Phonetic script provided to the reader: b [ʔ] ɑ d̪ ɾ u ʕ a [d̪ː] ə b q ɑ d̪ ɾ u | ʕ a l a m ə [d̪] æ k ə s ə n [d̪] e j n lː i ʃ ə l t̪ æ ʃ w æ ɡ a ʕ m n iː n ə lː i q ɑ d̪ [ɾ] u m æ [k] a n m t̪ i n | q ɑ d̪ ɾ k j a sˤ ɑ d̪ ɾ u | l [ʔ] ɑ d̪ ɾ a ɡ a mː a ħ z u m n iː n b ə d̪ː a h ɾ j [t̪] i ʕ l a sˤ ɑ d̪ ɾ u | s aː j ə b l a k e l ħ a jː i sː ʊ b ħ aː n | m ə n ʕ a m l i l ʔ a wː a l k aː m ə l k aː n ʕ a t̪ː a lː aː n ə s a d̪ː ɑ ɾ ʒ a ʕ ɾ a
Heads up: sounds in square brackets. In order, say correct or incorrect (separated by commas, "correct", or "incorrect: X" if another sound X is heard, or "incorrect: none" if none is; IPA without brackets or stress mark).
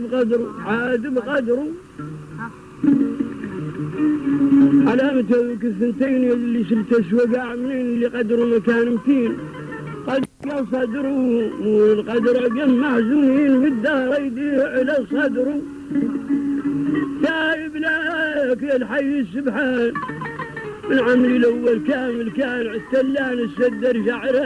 incorrect: q, incorrect: d̪, incorrect: t̪, incorrect: t̪, correct, correct, incorrect: q, incorrect: d̪